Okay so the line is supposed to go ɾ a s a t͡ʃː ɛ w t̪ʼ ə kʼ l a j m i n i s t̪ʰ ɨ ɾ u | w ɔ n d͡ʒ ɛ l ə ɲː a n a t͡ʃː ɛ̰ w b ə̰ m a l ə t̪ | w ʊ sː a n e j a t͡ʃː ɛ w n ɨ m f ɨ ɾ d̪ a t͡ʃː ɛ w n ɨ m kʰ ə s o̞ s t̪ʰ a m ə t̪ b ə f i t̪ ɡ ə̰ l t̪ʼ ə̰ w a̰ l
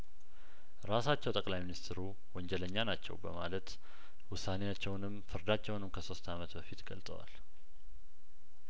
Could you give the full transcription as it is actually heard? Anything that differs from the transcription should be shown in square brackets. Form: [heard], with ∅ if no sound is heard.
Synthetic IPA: ɾ a s a t͡ʃː ɛ w t̪ʼ ə kʼ l a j m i n i s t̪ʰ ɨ ɾ u | w ɔ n d͡ʒ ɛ l ə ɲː a n a t͡ʃː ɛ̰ w b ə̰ m a l ə t̪ | w ʊ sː a n e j a t͡ʃː ɛ w n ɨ m f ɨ ɾ d̪ a t͡ʃː ɛ w n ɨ m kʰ ə s o̞ s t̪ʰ a m ə t̪ b ə f i t̪ ɡ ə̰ l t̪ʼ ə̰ w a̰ l